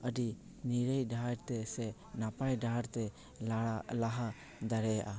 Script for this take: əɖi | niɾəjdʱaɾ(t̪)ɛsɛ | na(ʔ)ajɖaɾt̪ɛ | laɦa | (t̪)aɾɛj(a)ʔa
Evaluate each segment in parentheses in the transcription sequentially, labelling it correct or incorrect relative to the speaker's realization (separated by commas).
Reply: correct, incorrect, incorrect, correct